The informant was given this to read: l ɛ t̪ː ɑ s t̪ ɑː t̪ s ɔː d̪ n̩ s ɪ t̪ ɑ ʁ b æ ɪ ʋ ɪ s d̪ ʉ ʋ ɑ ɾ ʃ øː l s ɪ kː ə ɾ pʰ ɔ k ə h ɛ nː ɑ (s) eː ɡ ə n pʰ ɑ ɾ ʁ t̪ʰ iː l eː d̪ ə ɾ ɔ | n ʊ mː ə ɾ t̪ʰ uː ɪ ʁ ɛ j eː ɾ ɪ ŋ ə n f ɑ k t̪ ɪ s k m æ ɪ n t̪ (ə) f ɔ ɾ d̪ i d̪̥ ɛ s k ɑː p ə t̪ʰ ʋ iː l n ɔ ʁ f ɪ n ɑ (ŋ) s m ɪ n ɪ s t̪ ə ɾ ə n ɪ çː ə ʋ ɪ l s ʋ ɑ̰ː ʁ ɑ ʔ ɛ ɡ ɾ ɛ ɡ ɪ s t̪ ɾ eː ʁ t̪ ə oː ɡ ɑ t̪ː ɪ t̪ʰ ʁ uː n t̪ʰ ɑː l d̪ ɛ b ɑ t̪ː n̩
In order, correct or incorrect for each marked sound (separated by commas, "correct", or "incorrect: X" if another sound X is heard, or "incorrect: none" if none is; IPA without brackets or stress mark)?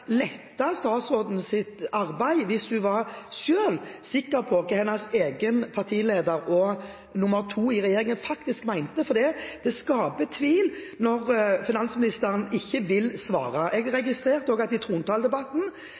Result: correct, correct, incorrect: n